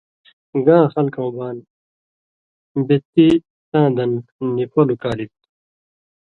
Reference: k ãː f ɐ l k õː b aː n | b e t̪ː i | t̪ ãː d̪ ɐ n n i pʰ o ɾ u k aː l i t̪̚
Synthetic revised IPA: ɡ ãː x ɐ l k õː b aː n | b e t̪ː i | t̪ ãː d̪ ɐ n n i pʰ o l u k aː l i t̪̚